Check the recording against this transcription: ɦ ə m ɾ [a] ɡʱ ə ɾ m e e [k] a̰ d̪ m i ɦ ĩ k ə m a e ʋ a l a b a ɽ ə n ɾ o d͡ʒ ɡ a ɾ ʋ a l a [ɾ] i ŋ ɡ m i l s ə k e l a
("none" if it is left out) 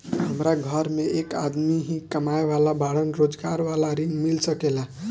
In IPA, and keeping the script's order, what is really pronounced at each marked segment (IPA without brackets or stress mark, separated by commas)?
a, k, ɾ